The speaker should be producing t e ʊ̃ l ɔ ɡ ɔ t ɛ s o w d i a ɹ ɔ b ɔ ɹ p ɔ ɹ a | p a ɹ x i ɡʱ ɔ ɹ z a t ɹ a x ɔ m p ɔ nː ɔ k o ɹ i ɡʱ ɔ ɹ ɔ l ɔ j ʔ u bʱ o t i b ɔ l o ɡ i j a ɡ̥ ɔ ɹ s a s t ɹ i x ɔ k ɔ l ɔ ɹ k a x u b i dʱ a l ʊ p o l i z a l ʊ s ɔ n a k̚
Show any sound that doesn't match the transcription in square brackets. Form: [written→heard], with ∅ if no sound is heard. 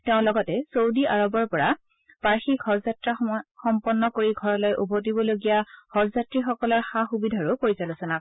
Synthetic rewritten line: t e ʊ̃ l ɔ ɡ ɔ t ɛ s o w d i a ɹ ɔ b ɔ ɹ p ɔ ɹ a | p a ɹ x i ɡʱ ɔ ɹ z a t ɹ a x ɔ m p ɔ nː ɔ k o ɹ i ɡʱ ɔ ɹ ɔ l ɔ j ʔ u bʱ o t i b ɔ l o ɡ i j a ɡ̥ ɔ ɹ [s→z] a [s→∅] t ɹ i x ɔ k ɔ l ɔ ɹ [k→x] a x u b i dʱ a [l→ɹ] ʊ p o [l→ɹ] i z a l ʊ s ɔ n a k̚